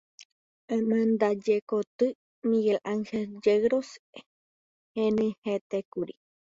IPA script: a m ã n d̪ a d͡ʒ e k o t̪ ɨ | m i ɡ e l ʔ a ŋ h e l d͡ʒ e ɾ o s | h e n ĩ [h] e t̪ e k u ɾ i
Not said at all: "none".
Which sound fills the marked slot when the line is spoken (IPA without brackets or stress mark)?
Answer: h